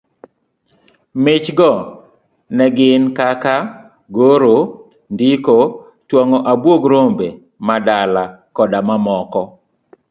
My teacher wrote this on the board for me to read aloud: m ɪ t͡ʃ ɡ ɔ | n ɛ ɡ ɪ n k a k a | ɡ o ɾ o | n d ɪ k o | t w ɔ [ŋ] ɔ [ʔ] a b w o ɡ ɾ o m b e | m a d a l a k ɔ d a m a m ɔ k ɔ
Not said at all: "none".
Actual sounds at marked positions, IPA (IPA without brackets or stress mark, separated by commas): ŋ, ʔ